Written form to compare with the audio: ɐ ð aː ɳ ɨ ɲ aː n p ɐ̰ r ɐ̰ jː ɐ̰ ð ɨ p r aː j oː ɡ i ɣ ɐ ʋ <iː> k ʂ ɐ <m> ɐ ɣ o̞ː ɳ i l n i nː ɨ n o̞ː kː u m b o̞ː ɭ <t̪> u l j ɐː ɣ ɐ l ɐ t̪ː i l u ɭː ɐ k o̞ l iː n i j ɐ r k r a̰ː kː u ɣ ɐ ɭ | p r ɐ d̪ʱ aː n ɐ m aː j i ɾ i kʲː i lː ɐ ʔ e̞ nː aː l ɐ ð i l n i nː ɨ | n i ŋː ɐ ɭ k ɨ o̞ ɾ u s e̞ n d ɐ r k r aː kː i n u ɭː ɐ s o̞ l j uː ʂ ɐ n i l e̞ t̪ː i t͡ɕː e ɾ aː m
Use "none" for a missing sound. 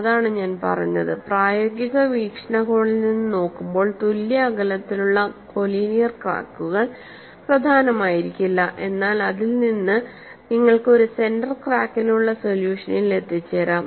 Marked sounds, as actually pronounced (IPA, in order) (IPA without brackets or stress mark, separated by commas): iː, ɳ, t̪